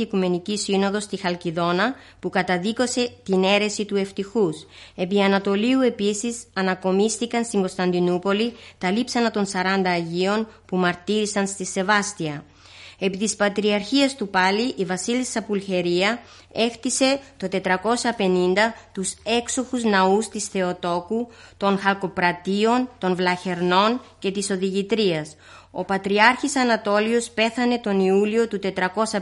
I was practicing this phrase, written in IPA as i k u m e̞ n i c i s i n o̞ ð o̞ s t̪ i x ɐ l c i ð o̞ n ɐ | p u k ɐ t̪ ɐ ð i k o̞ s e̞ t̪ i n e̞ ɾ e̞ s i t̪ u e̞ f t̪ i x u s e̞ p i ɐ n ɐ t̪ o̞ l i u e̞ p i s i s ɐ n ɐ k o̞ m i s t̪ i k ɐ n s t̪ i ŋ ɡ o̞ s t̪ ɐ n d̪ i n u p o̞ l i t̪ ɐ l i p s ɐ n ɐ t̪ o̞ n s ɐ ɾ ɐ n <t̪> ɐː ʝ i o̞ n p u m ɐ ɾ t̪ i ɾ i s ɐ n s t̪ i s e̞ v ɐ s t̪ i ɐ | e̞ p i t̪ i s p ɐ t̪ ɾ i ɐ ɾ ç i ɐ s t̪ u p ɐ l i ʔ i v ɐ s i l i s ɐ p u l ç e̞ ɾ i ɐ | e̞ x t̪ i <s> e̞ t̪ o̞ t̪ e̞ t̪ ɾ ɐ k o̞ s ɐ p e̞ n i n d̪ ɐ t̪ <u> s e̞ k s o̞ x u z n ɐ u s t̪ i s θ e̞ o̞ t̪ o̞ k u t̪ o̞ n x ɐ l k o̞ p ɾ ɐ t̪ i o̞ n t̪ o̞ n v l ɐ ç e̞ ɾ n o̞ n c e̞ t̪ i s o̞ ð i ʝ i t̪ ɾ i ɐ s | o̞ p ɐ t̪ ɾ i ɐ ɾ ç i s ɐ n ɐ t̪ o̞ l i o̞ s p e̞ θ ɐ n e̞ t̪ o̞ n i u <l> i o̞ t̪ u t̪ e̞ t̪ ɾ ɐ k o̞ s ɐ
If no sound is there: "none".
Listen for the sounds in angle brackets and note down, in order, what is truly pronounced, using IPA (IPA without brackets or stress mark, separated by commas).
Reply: d̪, s, u, l